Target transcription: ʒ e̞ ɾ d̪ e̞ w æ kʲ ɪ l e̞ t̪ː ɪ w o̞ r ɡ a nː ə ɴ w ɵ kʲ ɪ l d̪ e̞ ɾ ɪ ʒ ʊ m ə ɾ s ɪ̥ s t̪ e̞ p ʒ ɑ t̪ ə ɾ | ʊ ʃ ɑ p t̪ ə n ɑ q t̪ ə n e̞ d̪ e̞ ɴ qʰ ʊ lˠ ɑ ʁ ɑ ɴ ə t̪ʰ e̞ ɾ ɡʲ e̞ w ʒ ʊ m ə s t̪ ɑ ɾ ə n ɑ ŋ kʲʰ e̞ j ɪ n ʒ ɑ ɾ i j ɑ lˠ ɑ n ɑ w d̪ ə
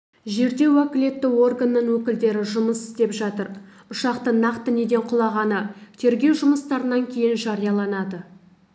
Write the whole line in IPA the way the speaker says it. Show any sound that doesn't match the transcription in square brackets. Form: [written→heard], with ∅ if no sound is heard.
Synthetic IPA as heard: ʒ e̞ ɾ d̪ e̞ w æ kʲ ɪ l e̞ t̪ː ɪ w o̞ r ɡ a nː ə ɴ w ɵ kʲ ɪ l d̪ e̞ ɾ ɪ ʒ ʊ m ə [ɾ→∅] s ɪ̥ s t̪ e̞ p ʒ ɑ t̪ ə ɾ | ʊ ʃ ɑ [p→q] t̪ ə n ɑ q t̪ ə n e̞ d̪ e̞ ɴ qʰ ʊ lˠ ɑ ʁ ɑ [ɴ→n] ə t̪ʰ e̞ ɾ ɡʲ e̞ w ʒ ʊ m ə s t̪ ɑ ɾ ə n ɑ ŋ kʲʰ e̞ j ɪ n ʒ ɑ ɾ i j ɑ lˠ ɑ n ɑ [w→∅] d̪ ə